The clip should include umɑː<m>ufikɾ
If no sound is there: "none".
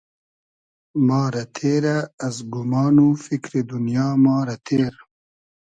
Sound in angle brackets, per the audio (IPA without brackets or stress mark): n